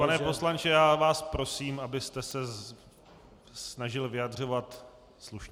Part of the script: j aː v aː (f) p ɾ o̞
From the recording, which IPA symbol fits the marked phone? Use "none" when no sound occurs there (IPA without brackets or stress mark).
s